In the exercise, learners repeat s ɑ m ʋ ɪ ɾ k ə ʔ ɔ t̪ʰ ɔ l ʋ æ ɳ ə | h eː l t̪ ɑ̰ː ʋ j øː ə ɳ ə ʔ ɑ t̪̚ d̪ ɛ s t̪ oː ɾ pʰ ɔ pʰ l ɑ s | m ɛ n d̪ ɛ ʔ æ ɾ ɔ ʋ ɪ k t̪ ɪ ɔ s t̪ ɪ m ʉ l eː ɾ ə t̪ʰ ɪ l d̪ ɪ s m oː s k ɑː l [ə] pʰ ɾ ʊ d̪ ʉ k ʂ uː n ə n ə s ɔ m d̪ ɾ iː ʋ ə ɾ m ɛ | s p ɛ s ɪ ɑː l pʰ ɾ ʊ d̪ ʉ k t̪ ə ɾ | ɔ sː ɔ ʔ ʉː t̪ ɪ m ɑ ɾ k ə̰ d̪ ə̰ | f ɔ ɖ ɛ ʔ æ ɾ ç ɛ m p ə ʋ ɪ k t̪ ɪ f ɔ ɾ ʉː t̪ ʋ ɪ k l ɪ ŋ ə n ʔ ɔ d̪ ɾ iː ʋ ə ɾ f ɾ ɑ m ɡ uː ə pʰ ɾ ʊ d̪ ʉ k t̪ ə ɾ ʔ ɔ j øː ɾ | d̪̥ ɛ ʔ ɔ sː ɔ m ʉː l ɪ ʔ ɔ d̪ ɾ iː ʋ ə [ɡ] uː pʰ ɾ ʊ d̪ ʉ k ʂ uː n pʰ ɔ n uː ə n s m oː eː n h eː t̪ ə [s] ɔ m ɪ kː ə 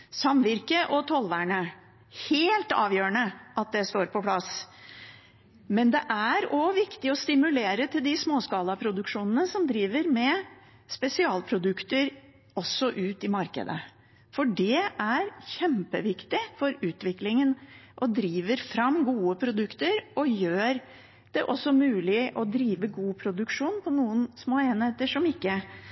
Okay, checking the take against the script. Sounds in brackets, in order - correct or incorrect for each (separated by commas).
incorrect, correct, incorrect